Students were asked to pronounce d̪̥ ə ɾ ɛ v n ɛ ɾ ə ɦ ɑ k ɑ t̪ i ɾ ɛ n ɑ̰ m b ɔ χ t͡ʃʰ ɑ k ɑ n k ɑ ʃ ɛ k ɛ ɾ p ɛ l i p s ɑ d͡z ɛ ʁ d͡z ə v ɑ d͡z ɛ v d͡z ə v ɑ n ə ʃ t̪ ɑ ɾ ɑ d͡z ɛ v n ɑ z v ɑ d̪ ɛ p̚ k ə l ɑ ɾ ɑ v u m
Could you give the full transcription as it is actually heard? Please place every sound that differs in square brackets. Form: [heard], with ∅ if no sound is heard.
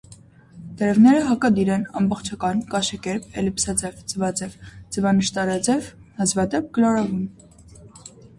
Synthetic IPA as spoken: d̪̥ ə ɾ ɛ v n ɛ ɾ ə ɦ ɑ k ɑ [d̪] i ɾ ɛ n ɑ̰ m b ɔ χ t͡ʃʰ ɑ k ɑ n k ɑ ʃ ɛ k ɛ ɾ p ɛ l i p s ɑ d͡z ɛ [v] d͡z ə v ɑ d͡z ɛ v d͡z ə v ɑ n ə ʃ t̪ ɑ ɾ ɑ d͡z ɛ v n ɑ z v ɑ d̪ ɛ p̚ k ə l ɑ ɾ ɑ v u m